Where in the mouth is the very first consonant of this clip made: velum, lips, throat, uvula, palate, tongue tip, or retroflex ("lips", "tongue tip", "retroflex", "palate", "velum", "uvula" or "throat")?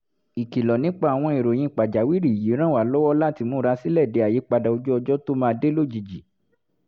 velum